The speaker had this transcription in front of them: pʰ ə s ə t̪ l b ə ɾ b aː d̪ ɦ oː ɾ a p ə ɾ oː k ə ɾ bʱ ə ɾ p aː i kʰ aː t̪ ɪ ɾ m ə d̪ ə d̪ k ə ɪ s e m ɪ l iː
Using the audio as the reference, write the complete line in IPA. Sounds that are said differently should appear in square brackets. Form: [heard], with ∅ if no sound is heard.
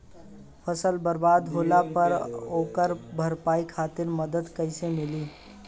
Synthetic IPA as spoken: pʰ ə s ə [∅] l b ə ɾ b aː d̪ ɦ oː [l] a p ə ɾ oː k ə ɾ bʱ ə ɾ p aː i kʰ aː t̪ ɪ ɾ m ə d̪ ə d̪ k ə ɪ s e m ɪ l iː